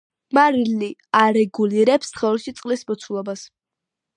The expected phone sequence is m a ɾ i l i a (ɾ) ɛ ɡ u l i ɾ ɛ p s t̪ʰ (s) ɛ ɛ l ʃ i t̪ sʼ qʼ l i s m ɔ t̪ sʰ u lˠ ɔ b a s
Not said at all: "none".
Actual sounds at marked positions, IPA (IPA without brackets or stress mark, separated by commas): ɾ, χ